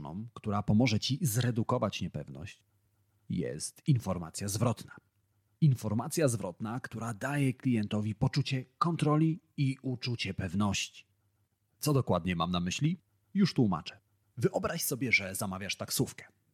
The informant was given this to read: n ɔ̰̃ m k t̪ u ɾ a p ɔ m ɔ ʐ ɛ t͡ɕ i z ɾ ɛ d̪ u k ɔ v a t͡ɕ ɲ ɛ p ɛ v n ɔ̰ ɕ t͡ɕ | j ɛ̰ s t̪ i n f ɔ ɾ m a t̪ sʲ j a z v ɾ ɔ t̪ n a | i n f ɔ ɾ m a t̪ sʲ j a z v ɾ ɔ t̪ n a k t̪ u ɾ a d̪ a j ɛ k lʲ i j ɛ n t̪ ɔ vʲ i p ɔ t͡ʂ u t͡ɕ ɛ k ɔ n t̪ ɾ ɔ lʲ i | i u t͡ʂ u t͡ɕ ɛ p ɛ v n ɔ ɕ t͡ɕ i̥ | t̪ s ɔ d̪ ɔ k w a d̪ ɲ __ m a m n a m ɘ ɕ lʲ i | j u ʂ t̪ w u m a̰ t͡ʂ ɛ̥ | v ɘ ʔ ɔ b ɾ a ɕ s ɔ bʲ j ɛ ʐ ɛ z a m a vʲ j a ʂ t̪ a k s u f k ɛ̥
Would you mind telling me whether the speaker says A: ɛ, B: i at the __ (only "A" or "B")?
A